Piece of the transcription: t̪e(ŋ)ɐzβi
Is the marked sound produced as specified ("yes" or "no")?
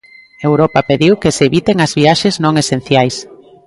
yes